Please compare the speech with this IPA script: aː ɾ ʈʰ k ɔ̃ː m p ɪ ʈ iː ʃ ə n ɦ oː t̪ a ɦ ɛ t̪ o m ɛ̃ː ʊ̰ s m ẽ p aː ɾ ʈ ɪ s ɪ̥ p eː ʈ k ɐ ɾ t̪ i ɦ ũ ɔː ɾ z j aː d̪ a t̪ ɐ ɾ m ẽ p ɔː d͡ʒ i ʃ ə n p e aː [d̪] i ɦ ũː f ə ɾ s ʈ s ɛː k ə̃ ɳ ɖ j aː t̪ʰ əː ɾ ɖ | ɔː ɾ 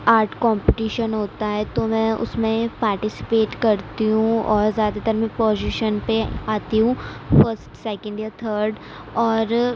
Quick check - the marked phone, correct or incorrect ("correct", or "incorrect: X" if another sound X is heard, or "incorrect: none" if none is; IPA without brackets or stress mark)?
incorrect: t̪